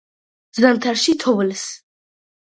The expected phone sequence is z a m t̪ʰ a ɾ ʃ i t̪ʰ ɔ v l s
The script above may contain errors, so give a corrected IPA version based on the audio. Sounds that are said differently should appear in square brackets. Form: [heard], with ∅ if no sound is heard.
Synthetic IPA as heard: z a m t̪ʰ a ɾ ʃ i t̪ʰ ɔ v l s